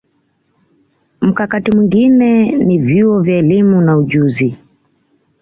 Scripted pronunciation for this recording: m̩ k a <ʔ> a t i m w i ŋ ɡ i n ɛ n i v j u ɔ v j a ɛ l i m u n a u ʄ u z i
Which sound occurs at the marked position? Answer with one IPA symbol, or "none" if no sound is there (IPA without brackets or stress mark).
k